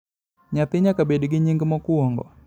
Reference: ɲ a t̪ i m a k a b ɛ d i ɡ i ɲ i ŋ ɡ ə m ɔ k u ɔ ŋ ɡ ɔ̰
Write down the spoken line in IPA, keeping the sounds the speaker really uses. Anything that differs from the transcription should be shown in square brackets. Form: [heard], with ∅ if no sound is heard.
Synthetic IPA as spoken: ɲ a t̪ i [ɲ] a k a b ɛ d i ɡ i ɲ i ŋ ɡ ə m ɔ k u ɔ ŋ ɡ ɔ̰